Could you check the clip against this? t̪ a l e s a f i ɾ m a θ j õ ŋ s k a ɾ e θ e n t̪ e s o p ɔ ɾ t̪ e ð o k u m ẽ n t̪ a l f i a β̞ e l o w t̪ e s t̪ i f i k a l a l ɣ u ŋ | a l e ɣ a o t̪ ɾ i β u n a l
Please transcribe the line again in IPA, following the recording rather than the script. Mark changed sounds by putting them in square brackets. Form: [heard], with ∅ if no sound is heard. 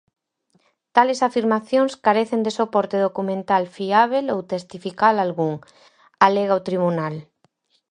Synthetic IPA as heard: t̪ a l e s a f i ɾ m a θ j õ ŋ s k a ɾ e θ e n [d̪] e s o p ɔ ɾ t̪ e ð o k u m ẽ n t̪ a l f i a β̞ e l o w t̪ e s t̪ i f i k a l a l ɣ u ŋ | a l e ɣ a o t̪ ɾ i β u n a l